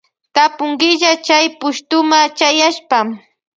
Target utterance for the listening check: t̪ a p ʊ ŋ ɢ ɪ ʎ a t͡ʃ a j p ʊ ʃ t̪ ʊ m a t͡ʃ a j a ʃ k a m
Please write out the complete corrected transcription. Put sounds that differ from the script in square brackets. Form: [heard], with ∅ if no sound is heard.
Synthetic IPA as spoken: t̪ a p ʊ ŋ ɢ ɪ ʎ a t͡ʃ a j p ʊ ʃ t̪ ʊ m a t͡ʃ a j a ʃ [p] a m